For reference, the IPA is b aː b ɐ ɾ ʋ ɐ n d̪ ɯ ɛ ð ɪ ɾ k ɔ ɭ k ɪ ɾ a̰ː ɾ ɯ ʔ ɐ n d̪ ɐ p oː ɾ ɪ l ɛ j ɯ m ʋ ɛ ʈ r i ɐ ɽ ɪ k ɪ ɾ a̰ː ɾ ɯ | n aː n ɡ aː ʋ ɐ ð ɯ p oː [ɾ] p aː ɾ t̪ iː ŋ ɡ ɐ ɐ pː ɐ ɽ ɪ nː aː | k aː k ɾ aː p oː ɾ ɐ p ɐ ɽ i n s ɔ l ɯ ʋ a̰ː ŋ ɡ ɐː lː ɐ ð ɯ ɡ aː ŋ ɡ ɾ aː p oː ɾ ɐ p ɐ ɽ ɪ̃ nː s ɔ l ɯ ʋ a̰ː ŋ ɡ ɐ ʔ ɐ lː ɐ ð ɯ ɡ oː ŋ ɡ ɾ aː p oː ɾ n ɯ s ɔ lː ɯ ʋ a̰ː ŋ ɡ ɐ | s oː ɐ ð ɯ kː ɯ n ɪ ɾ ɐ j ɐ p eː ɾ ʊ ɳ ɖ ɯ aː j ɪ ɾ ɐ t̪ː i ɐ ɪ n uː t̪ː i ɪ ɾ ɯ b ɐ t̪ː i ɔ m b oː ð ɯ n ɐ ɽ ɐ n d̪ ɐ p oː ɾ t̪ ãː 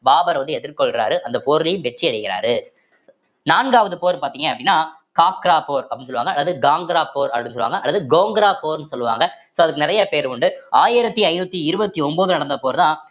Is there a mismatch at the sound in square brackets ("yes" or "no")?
no